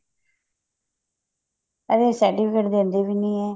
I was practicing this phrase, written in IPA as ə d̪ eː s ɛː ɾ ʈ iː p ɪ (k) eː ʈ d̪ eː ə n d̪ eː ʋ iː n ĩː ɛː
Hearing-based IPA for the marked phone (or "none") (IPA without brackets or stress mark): k